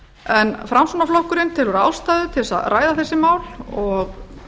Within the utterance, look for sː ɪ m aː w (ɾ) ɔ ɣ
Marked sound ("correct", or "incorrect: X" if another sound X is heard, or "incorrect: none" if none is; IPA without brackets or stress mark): incorrect: l